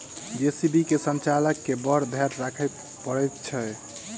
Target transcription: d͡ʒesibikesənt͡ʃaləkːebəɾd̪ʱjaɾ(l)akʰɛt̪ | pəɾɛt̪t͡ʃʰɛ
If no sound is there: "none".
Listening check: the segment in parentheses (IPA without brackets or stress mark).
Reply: ɾ